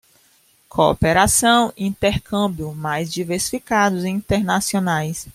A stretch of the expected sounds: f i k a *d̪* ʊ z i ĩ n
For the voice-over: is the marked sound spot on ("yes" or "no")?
yes